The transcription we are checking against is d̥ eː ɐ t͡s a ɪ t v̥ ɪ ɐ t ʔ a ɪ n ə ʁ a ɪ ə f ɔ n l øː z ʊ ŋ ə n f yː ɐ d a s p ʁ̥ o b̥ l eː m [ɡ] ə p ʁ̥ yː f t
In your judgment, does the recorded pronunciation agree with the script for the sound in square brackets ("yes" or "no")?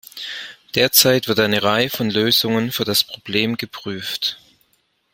yes